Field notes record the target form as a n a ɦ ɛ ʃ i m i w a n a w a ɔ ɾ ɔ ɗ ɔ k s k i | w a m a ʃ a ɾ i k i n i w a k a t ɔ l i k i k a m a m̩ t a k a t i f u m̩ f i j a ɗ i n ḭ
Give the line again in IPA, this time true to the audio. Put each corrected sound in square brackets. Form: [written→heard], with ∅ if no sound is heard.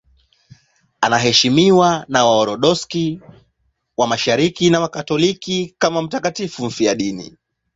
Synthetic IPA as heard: a n a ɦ ɛ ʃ i m i w a n a w a ɔ ɾ ɔ ɗ ɔ [k→∅] s k i | w a m a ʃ a ɾ i k i n [i→a] w a k a t ɔ l i k i k a m a m̩ t a k a t i f u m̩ f i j a ɗ i n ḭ

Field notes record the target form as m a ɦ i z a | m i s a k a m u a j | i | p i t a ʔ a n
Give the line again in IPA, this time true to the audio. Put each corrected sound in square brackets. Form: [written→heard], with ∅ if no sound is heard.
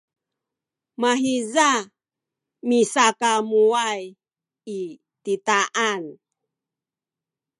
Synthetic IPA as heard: m a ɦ i z a | m i s a k a m u a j | i | [p→t] i t a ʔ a n

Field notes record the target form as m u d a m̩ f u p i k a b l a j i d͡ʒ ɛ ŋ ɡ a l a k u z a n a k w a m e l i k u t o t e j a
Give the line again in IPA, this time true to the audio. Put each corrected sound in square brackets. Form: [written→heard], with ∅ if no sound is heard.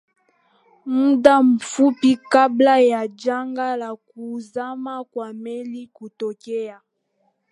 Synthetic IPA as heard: m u d a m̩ f u p i k a b l a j [i→a] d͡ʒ [ɛ→a] ŋ ɡ a l a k u z a [n→m] a k w a m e l i k u t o [t→k] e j a

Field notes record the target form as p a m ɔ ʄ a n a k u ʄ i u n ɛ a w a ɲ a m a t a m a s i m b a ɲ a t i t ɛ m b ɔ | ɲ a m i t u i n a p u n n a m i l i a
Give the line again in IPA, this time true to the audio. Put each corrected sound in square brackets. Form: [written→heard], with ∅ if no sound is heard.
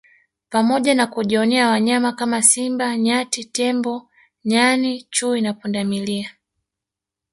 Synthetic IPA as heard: p a m ɔ ʄ a n a k u ʄ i [u→ɔ] n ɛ a w a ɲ a m a [t→k] a m a s i m b a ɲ a t i t ɛ m b ɔ | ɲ a [m→n] i [t→t͡ʃ] u i n a p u n [n→d] a m i l i a

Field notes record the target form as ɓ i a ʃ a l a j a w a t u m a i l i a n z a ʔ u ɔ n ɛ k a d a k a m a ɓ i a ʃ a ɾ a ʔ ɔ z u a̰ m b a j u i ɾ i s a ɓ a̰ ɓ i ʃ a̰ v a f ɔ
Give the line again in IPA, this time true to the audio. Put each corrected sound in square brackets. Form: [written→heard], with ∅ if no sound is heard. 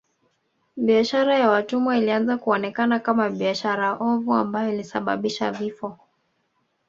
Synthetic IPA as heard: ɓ i a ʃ a [l→ɾ] a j a w a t u m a i l i a n z a [ʔ→k] u ɔ n ɛ k a [d→n] a k a m a ɓ i a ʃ a ɾ a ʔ ɔ [z→v] u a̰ m b a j [u→ɔ] i [ɾ→l] i s a ɓ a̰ ɓ i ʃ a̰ v [a→i] f ɔ

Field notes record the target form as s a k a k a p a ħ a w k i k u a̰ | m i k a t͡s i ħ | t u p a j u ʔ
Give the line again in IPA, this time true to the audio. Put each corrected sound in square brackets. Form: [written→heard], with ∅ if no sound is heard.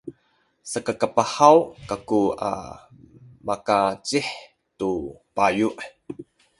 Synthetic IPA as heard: s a k a k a p a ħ a w k [i→a] k u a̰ | m [i→a] k a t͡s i ħ | t u p a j u ʔ

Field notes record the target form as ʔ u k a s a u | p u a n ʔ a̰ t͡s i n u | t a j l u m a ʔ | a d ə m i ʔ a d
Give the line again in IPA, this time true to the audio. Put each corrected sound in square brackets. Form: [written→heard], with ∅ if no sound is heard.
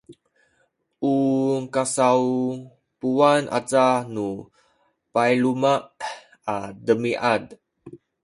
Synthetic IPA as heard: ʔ u k a s a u | p u a n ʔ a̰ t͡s [i→a] n u | [t→p] a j l u m a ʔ | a d ə m i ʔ a d

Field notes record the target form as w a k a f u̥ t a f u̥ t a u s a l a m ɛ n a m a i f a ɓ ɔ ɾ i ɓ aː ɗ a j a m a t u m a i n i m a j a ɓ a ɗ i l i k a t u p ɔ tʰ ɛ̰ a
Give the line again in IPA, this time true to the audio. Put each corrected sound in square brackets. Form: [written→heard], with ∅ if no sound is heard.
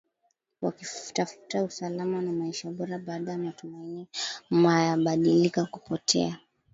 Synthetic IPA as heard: w a k [a→i] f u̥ t a f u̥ t a u s a l a m [ɛ→a] n a m a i [f→ʃ] a ɓ ɔ ɾ [i→a] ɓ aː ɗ a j a m a t u m a i n i m a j a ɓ a ɗ i l i k a [t→k] u p ɔ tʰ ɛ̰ a

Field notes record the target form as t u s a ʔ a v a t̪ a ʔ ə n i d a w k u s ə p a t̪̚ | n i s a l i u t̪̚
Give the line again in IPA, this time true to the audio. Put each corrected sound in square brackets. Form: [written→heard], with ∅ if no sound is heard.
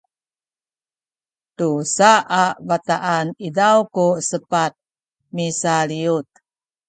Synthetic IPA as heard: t u s a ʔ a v a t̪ a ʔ [ə→a] n i d a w k u s ə p a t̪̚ | [n→m] i s a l i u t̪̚

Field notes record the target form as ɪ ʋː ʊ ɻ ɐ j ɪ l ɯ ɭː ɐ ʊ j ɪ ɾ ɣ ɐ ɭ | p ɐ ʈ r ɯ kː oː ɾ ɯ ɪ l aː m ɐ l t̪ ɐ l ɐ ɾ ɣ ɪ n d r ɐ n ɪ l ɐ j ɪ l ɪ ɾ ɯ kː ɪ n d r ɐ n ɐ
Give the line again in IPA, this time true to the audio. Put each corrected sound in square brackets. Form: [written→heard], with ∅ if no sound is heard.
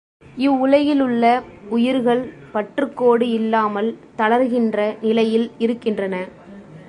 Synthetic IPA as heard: ɪ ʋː ʊ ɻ ɐ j ɪ l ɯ ɭː ɐ ʊ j ɪ ɾ ɣ ɐ ɭ | p ɐ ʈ r ɯ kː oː [ɾ→ɽ] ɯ ɪ [l→lː] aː m ɐ l t̪ ɐ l ɐ ɾ ɣ ɪ n d r ɐ n ɪ l ɐ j ɪ l ɪ ɾ ɯ kː ɪ n d r ɐ n ɐ

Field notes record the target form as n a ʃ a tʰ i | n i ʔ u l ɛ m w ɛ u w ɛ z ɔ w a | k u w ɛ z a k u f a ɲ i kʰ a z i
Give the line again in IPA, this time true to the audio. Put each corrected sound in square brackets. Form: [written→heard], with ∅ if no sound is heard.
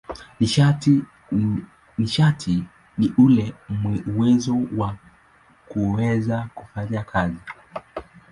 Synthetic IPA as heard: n [a→i] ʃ a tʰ i | n i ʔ u l ɛ m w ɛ u w ɛ z ɔ w a | k u w ɛ z a k u f a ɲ [i→a] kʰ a z i

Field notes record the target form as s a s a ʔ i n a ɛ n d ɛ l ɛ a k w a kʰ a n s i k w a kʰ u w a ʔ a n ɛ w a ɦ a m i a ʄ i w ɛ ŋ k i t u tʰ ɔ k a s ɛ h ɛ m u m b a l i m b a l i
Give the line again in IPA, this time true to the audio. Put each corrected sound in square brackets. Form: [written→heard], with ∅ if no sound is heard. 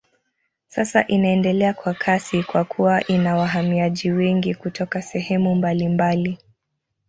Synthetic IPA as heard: s a s a ʔ i n a ɛ n d ɛ l ɛ a k w a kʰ a [n→∅] s i k w a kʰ u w a ʔ [a→i] n [ɛ→a] w a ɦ a m i a ʄ i w ɛ ŋ [k→ɡ] i [t→k] u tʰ ɔ k a s ɛ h ɛ m u m b a l i m b a l i

